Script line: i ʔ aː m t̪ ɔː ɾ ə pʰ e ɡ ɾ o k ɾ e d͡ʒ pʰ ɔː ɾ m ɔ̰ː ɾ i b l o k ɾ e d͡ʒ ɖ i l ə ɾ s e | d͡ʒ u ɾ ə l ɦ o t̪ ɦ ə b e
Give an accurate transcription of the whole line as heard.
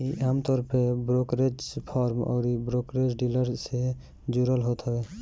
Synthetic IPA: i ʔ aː m t̪ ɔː ɾ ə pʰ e b ɾ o k ɾ e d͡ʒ pʰ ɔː ɾ m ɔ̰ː ɾ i b ɾ o k ɾ e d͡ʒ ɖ i l ə ɾ s e | d͡ʒ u ɾ ə l ɦ o t̪ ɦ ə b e